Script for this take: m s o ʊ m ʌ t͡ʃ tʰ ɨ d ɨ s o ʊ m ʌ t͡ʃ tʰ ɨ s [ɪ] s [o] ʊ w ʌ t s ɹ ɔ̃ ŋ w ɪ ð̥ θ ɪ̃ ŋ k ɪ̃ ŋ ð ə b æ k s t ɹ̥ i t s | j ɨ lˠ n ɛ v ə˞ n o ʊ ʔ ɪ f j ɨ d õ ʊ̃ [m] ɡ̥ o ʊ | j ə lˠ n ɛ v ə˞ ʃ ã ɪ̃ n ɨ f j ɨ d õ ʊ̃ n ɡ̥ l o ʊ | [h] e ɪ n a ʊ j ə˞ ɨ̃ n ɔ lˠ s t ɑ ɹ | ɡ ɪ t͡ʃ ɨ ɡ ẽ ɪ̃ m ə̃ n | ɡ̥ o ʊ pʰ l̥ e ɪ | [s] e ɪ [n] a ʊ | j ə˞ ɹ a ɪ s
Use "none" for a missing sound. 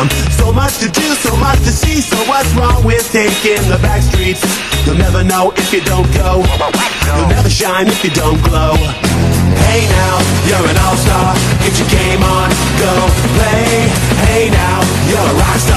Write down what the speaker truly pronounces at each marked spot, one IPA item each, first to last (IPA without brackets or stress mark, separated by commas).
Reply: i, o, n, h, h, n